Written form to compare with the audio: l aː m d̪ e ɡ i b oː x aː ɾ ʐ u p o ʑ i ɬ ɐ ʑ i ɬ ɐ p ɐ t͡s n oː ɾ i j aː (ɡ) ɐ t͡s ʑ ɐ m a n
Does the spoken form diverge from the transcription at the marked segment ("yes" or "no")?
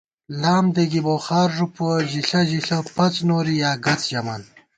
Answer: no